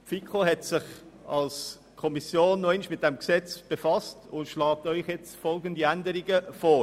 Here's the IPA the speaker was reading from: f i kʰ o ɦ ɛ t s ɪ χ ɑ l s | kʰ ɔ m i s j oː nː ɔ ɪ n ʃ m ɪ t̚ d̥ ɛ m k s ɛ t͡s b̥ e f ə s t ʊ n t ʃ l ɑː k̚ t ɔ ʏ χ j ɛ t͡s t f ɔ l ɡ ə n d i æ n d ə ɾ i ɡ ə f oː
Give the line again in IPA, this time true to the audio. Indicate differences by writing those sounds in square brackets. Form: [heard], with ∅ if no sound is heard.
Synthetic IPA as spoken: f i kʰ o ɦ ɛ t s ɪ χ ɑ l s | kʰ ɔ m i s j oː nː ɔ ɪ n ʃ m ɪ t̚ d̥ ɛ m k s ɛ t͡s b̥ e f [ɑ] s t ʊ n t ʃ l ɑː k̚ t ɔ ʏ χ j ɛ t͡s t f ɔ l ɡ ə n d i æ n d ə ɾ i ɡ ə f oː